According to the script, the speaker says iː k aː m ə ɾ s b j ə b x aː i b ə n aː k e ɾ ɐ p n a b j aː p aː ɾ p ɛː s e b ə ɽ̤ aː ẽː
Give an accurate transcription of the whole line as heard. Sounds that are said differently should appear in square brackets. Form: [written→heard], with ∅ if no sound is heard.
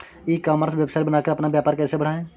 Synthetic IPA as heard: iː k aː m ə ɾ s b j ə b [x→s] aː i b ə n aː k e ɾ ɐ p n a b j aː p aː ɾ [p→k] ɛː s e b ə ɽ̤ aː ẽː

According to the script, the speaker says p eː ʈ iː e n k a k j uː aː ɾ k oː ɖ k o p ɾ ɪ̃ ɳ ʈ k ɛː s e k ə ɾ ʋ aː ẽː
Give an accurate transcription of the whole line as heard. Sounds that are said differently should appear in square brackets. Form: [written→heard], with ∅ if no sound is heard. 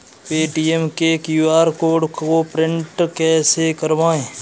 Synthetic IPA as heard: p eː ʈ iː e [n→m] k [a→e] k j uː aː ɾ k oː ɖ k o p ɾ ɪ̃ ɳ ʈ k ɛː s e k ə ɾ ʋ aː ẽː

